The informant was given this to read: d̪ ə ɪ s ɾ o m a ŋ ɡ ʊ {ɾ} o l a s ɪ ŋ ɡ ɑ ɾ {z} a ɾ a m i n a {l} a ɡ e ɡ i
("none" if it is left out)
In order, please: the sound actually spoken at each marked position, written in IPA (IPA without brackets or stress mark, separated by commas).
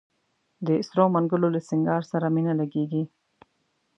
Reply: l, s, l